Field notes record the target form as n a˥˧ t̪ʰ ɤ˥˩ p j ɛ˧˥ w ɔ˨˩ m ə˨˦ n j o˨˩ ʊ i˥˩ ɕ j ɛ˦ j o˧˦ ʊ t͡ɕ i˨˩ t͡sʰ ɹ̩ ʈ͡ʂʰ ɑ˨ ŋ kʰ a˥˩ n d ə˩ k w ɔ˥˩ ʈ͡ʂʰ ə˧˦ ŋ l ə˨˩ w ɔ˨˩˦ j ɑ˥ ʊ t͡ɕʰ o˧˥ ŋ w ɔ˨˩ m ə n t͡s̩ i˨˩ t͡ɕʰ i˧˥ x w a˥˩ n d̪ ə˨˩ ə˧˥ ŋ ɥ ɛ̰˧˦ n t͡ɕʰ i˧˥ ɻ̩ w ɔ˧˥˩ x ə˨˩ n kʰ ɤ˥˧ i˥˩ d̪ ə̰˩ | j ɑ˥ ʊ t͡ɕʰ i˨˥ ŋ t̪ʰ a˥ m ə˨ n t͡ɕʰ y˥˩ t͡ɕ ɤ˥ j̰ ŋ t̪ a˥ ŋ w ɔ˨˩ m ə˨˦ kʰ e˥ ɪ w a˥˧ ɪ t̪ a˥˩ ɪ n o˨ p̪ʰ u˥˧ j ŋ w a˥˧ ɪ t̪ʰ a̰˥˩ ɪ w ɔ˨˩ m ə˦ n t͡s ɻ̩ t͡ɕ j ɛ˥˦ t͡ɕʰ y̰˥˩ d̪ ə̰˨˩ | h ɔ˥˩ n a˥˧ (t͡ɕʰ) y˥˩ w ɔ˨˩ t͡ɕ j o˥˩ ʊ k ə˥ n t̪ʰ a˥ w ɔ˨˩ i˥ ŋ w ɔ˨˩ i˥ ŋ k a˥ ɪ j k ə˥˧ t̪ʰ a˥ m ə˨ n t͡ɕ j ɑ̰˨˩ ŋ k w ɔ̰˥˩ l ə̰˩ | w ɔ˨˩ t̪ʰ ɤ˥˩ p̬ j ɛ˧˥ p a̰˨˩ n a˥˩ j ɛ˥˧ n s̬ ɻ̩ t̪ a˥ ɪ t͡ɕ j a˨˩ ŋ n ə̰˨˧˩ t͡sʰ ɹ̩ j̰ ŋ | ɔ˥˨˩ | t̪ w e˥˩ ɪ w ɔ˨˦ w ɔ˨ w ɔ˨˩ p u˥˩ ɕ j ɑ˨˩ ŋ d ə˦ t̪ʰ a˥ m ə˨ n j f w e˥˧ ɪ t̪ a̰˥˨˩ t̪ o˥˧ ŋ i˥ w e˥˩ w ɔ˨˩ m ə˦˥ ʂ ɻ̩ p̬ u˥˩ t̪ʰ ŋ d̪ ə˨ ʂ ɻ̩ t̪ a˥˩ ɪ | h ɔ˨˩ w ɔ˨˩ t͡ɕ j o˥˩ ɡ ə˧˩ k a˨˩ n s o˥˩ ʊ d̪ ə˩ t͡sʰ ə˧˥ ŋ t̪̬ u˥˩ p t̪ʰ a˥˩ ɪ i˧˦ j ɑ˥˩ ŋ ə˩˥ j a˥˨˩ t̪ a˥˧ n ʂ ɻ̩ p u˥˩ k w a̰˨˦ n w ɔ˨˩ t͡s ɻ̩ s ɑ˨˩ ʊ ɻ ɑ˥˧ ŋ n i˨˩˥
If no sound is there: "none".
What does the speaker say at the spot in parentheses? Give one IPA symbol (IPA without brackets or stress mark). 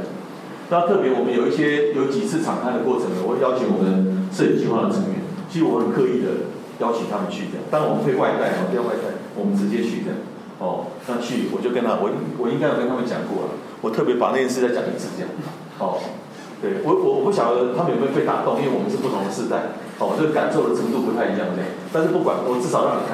t͡ɕʰ